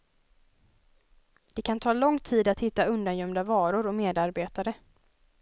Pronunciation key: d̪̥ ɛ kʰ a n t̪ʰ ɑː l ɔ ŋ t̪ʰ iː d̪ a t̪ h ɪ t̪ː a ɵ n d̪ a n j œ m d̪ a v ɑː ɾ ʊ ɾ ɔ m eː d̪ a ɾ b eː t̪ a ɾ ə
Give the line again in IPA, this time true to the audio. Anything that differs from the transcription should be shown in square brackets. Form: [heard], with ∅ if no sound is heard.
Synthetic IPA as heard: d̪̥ ɛ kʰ a n t̪ʰ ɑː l ɔ ŋ t̪ʰ iː d̪ a t̪ h ɪ t̪ː a ɵ n d̪ a n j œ m d̪ a v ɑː ɾ ʊ ɾ ɔ m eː d̪ a ɾ b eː t̪ a ɾ ə

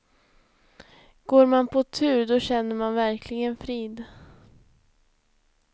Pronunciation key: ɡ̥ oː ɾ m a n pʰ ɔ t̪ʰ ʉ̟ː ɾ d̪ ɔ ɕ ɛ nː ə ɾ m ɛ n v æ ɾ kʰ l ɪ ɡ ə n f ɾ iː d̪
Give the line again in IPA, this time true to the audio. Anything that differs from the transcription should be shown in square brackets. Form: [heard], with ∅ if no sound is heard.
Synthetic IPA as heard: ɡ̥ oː ɾ m a n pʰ ɔ t̪ʰ ʉ̟ː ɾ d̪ ɔ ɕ ɛ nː ə ɾ m [a] n v æ ɾ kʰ l ɪ ɡ ə n f ɾ iː d̪

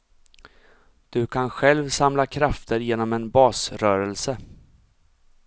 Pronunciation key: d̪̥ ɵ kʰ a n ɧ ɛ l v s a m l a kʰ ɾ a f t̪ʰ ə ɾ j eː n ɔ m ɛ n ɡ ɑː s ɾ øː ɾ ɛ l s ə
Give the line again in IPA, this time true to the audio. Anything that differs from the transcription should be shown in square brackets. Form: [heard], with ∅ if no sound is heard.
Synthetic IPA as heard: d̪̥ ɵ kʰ a n ɧ ɛ l v s a m l a kʰ ɾ a f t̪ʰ ə ɾ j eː n ɔ m ɛ n [b] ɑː s ɾ [œː] ɾ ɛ l s ə

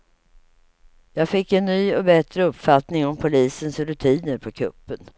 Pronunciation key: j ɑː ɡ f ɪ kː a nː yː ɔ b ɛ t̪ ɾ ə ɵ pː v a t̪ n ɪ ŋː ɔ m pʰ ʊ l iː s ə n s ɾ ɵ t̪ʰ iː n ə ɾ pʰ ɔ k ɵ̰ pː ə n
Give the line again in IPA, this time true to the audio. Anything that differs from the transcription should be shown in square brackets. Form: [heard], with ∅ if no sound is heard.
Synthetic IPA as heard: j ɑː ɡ f ɪ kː [ɛ] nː yː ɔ b ɛ t̪ ɾ ə ɵ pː [f] a t̪ n ɪ [ŋ] ɔ m pʰ ʊ l iː s ə n s ɾ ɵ t̪ʰ iː n ə ɾ pʰ ɔ [kʰ] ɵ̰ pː ə n

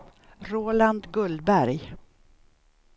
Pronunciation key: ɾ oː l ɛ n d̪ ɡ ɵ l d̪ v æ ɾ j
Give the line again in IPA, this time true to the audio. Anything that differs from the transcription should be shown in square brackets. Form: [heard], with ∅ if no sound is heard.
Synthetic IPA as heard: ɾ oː l [a] n d̪ ɡ ɵ l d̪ [b] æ ɾ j

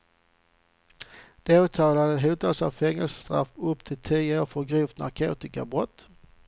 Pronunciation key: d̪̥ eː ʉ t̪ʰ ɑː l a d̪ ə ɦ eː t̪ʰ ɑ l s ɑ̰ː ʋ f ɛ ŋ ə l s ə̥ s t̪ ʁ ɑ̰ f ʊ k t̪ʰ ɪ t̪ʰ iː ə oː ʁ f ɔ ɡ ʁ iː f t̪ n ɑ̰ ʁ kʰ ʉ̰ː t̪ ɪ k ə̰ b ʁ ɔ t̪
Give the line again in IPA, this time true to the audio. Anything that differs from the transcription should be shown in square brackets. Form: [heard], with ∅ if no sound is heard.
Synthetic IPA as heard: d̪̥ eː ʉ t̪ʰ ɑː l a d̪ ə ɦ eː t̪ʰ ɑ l s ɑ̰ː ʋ f ɛ ŋ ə l s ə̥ s t̪ ʁ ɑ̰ f ʊ [p] t̪ʰ ɪ t̪ʰ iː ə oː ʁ f ɔ ɡ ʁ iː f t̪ n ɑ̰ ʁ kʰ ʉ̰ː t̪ ɪ k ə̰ b ʁ ɔ t̪

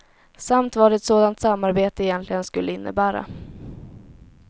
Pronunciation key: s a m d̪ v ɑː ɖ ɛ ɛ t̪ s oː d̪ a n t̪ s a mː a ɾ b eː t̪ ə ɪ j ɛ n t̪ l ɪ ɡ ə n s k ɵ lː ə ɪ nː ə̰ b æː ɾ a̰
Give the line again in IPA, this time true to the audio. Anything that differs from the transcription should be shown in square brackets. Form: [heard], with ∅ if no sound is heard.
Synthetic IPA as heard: s a m [t̪] v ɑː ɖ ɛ ɛ t̪ s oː d̪ a n t̪ s a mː a ɾ b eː t̪ ə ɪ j ɛ n t̪ l ɪ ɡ ə n s k ɵ lː ə ɪ nː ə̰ b æː ɾ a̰

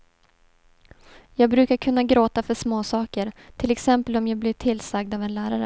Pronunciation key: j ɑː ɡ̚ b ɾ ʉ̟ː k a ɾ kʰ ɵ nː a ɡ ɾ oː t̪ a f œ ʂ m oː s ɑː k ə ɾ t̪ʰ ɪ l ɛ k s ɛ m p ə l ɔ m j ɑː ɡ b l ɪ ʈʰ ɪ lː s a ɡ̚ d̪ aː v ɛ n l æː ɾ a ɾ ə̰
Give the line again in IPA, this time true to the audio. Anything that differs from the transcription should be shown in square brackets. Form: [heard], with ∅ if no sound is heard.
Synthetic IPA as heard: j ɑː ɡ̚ b ɾ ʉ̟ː k a ɾ kʰ ɵ nː a ɡ ɾ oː t̪ a f œ ʂ m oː s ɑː k ə ɾ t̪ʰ ɪ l ɛ k s ɛ m p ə l ɔ m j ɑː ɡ b l ɪ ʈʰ ɪ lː s a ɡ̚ d̪ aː v ɛ n l æː ɾ a ɾ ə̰

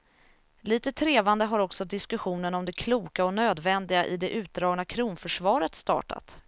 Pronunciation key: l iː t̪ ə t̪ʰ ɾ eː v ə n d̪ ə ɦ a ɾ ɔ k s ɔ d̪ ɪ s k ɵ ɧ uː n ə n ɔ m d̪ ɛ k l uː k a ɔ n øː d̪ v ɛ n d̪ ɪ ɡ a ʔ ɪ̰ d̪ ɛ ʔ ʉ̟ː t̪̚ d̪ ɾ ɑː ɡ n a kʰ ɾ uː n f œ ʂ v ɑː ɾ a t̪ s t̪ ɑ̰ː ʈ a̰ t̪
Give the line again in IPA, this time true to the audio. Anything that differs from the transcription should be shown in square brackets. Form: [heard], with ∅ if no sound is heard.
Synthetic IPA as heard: l iː t̪ ə t̪ʰ ɾ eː v [a] n d̪ ə ɦ a ɾ ɔ k s ɔ d̪ ɪ s k ɵ ɧ uː n ə n ɔ m d̪ ɛ [kʰ] l uː k a ɔ n øː d̪ v ɛ n d̪ ɪ ɡ a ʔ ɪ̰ d̪ ɛ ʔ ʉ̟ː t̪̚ d̪ ɾ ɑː ɡ n a kʰ ɾ uː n f œ ʂ v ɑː ɾ [ə] t̪ s t̪ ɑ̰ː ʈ a̰ t̪

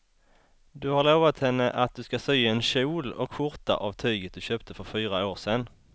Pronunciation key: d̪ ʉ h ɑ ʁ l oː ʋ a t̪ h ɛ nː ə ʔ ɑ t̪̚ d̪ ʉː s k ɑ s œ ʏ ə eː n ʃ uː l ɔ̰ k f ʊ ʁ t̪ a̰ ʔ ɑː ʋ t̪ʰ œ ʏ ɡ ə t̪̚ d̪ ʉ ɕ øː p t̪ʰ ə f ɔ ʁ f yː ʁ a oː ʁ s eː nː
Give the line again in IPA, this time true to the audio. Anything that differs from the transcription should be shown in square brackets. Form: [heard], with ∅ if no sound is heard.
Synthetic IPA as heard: d̪ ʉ h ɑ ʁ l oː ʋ a t̪ h ɛ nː ə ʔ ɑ t̪̚ d̪ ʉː s k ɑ s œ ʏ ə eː n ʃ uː l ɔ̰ k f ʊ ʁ t̪ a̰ ʔ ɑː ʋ t̪ʰ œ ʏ ɡ ə t̪̚ d̪ ʉ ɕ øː p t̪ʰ ə f ɔ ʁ f yː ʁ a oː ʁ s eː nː

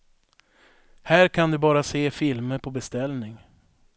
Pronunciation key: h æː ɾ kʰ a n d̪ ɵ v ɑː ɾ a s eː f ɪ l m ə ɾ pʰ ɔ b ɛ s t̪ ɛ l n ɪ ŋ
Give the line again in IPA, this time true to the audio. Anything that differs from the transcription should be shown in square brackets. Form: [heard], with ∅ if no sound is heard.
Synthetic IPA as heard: h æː ɾ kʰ a n d̪ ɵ [b] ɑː ɾ a s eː f ɪ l m ə ɾ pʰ ɔ b ɛ s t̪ ɛ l n ɪ ŋ

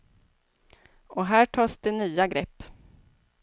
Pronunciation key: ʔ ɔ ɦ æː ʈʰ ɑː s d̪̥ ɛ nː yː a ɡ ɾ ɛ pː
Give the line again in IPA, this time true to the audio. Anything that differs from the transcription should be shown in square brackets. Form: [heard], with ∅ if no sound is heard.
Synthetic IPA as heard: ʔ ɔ ɦ æː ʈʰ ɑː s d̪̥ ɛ [n] yː a ɡ ɾ ɛ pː

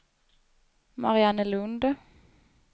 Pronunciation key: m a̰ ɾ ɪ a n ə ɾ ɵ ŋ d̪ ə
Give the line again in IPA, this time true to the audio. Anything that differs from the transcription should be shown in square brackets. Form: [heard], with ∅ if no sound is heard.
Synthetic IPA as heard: m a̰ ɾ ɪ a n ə [l] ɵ [n] d̪ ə

